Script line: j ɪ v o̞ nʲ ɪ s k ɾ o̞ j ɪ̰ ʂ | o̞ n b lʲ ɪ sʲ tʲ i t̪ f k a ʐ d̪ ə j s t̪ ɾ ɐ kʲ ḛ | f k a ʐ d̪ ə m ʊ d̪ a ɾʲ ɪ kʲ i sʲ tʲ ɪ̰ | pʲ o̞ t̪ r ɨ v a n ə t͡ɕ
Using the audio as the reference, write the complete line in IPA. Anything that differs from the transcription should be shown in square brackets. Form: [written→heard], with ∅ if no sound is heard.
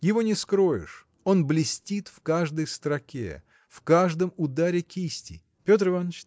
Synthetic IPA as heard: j ɪ v o̞ nʲ ɪ s k ɾ o̞ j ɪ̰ ʂ | o̞ n b lʲ ɪ sʲ tʲ i t̪ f k a ʐ d̪ ə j s t̪ ɾ ɐ kʲ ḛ | f k a ʐ d̪ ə m ʊ d̪ a ɾʲ ɪ kʲ i sʲ tʲ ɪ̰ | pʲ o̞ t̪ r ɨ v a n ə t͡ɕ